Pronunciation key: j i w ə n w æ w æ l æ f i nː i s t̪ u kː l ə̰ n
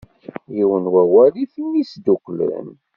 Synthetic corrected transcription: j i w ə n w æ w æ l i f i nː i s d̪ u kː l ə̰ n